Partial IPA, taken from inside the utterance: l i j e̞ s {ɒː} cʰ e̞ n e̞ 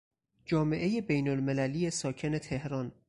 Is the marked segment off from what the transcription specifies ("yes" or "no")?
no